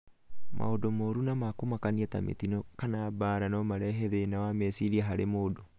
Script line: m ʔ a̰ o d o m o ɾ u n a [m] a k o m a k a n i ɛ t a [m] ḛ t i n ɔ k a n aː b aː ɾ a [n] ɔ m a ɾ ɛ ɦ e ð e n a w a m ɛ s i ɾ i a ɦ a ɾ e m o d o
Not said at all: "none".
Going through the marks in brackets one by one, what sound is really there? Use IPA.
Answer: m, m, n

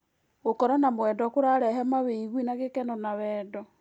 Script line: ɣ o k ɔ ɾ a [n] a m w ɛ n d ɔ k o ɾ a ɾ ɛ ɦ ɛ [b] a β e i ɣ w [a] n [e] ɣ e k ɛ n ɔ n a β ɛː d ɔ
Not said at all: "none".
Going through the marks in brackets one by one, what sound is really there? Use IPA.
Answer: n, m, i, a

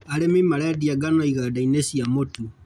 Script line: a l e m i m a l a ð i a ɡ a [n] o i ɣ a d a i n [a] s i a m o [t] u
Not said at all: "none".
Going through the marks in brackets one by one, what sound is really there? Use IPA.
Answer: n, e, t

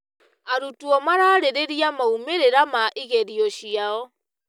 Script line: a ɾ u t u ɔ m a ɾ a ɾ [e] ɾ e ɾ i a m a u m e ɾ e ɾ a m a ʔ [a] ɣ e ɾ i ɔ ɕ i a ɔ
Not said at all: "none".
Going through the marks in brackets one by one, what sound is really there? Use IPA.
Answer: e, i

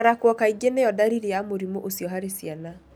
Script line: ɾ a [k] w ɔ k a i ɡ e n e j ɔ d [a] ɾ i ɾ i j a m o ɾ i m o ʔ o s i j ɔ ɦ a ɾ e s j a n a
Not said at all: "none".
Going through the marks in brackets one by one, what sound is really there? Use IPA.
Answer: k, a

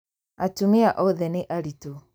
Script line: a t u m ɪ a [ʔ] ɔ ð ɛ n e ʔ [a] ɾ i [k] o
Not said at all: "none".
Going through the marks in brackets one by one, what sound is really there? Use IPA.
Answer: ʔ, a, t

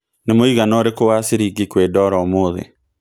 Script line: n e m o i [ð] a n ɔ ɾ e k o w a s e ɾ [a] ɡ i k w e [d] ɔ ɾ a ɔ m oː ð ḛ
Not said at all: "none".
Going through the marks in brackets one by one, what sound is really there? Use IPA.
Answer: ɣ, i, d

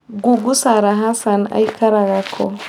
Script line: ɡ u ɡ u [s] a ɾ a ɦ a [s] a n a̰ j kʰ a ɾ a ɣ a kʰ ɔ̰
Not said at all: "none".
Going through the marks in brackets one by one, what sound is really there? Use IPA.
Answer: s, s

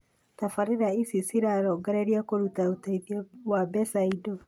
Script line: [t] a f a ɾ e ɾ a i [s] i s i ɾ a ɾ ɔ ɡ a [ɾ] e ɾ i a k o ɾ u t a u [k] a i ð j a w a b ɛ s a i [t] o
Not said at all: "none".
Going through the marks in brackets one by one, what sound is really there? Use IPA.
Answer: t, s, ɾ, t, d

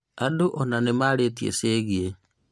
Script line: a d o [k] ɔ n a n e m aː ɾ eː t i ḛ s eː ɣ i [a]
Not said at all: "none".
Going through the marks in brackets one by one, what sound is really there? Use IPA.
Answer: ʔ, e

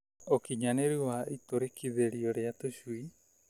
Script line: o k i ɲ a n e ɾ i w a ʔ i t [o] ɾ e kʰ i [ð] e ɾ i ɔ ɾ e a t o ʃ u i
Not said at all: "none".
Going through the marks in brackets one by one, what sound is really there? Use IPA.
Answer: o, ð

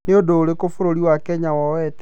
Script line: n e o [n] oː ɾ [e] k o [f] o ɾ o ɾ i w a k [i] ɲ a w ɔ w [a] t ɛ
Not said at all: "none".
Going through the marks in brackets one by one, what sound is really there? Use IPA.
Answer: d, e, f, ɛ, ɛ

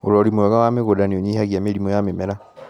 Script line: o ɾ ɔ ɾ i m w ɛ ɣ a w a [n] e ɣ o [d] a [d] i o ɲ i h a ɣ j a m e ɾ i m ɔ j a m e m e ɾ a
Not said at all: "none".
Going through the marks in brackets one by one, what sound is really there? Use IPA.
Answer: m, d, n

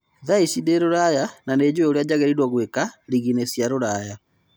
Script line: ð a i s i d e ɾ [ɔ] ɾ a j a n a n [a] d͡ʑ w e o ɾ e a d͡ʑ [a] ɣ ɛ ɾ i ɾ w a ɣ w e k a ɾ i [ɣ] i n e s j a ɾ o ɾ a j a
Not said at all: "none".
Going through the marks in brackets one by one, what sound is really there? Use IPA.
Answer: o, e, a, ɣ

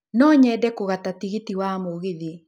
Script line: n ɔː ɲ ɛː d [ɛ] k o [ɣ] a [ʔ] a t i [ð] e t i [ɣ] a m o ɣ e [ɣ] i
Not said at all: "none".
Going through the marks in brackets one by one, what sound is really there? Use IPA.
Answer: ɛ, ɣ, t, ɣ, w, ð

